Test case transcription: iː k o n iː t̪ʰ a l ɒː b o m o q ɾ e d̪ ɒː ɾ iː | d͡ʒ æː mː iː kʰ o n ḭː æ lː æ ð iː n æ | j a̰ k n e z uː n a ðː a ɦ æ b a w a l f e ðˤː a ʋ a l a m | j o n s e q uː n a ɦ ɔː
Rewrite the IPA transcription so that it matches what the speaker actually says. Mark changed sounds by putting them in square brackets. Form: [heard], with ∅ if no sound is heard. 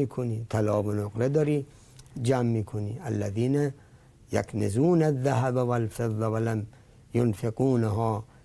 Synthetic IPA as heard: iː [kʰ] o n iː t̪ʰ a l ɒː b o [n] o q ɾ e d̪ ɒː ɾ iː | d͡ʒ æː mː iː kʰ o n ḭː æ lː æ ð iː n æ | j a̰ k n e z uː n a ðː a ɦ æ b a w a l f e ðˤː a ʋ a l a m | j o n [f] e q uː n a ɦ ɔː